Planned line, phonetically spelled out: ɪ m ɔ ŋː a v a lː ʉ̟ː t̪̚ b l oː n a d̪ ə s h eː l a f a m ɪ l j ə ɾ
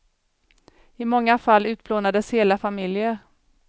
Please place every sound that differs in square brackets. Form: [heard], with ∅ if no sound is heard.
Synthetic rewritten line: ɪ m ɔ ŋː a [f] a lː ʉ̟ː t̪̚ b l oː n a d̪ ə s h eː l a f a m ɪ l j ə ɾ